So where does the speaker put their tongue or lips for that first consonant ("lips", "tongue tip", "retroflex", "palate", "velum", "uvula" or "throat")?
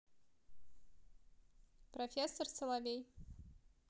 lips